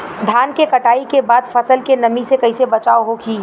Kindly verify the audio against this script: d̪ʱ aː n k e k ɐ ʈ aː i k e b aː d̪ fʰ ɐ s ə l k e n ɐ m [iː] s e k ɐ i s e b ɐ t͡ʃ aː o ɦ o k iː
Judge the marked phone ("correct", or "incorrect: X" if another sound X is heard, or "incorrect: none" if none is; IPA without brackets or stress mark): incorrect: i